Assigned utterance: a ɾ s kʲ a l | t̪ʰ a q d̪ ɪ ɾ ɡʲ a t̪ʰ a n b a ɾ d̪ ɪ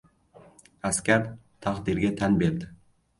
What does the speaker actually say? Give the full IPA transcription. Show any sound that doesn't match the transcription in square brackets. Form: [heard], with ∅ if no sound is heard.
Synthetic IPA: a [∅] s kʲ a [ɾ] | t̪ʰ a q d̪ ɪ ɾ ɡʲ a t̪ʰ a n b [e] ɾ d̪ ɪ